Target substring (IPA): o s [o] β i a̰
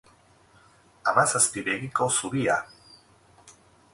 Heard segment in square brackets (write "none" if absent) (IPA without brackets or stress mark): u